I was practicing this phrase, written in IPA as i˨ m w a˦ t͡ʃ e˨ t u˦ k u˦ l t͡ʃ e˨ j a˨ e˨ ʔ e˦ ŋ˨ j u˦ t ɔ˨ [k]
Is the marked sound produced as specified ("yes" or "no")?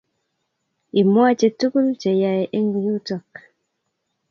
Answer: yes